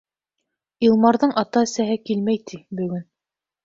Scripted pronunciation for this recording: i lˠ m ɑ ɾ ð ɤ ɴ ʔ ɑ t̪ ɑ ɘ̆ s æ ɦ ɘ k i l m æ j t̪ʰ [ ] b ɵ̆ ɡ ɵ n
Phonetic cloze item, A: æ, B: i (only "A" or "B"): B